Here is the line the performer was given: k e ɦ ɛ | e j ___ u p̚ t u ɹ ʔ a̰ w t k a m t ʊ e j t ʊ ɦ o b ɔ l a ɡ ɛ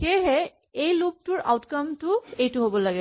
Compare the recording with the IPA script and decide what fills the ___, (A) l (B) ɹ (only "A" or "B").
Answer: A